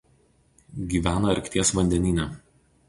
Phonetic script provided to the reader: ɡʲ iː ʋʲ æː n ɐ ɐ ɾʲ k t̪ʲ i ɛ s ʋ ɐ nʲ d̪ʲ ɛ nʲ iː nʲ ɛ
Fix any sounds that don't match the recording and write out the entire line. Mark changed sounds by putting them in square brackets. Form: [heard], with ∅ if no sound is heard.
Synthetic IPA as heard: ɡʲ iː ʋʲ æː n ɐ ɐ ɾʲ k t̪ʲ i ɛ s ʋ ɐ nʲ d̪ʲ ɛ nʲ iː nʲ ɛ

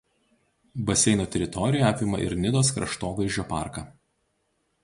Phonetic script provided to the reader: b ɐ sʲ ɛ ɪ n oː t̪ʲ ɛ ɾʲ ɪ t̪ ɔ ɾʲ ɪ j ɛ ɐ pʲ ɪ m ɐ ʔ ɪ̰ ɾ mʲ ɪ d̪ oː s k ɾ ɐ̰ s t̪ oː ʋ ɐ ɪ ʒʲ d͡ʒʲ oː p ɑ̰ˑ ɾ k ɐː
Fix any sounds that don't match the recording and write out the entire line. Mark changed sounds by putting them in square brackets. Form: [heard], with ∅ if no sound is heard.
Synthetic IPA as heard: b ɐ sʲ ɛ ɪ n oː t̪ʲ ɛ ɾʲ ɪ t̪ ɔ ɾʲ ɪ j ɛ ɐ pʲ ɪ m ɐ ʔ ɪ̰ ɾ [nʲ] ɪ d̪ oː s k ɾ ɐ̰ [ʃ] t̪ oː ʋ ɐ ɪ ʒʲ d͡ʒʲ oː p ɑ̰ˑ ɾ k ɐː

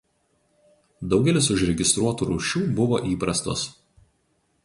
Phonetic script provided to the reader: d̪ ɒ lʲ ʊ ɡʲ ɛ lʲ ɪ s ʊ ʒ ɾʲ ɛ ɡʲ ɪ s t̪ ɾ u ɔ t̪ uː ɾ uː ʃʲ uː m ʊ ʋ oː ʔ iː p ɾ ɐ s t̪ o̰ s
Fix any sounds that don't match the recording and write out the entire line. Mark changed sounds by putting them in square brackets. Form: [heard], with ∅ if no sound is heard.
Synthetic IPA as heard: d̪ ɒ [∅] ʊ ɡʲ ɛ lʲ ɪ s ʊ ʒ ɾʲ ɛ ɡʲ ɪ s t̪ ɾ u ɔ t̪ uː ɾ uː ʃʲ uː [b] ʊ ʋ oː ʔ iː p ɾ ɐ s t̪ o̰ s

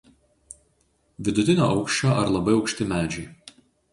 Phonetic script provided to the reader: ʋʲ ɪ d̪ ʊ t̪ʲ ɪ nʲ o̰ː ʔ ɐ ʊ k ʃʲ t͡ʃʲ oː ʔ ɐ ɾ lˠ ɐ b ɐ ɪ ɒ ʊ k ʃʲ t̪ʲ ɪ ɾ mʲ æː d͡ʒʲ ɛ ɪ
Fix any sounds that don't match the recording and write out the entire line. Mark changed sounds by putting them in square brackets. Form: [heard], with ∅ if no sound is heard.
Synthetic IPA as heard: ʋʲ ɪ d̪ ʊ t̪ʲ ɪ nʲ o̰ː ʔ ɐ ʊ k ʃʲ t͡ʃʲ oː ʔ ɐ ɾ lˠ ɐ b ɐ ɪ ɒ ʊ k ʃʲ t̪ʲ ɪ [∅] mʲ æː d͡ʒʲ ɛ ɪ

